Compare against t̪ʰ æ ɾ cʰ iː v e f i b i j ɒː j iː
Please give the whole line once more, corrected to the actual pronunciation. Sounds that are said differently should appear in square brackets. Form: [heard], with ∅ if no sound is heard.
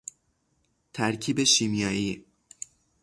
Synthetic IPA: t̪ʰ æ ɾ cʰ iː [b] e [ʃ] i [m] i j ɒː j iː